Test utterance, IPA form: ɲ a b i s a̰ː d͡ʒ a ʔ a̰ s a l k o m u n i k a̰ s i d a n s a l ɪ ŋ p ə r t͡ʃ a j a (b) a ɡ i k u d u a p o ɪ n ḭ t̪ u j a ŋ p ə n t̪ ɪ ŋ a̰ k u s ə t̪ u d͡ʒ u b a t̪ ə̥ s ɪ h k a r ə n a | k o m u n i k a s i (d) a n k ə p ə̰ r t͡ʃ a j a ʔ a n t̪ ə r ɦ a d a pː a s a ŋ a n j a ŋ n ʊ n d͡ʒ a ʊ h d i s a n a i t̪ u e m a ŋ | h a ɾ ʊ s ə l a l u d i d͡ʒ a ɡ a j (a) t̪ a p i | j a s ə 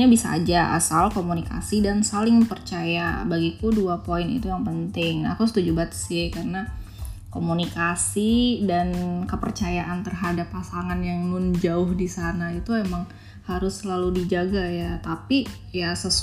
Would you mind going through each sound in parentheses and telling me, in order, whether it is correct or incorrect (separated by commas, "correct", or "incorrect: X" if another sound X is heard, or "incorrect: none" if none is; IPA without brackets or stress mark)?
correct, correct, correct